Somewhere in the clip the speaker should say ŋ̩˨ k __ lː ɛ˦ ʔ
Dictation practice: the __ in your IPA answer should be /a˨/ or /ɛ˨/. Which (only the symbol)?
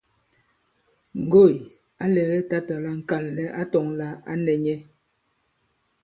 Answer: a˨